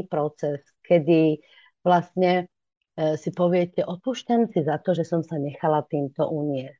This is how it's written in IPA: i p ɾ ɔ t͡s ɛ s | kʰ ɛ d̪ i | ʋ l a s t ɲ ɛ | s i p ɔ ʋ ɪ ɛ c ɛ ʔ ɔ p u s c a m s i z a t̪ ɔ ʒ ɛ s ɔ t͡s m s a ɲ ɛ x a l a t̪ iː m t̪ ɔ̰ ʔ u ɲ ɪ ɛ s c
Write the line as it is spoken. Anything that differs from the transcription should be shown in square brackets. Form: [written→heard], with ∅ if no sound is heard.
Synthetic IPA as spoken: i p ɾ ɔ t͡s ɛ s | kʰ ɛ d̪ i | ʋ l a s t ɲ ɛ | s i p ɔ ʋ ɪ ɛ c ɛ ʔ ɔ p u [s→ʃ] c a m s i z a t̪ ɔ ʒ ɛ s ɔ [t͡s→∅] m s a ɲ ɛ x a l a t̪ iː m t̪ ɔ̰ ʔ u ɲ ɪ ɛ s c